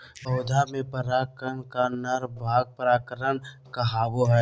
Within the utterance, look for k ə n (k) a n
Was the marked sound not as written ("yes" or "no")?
no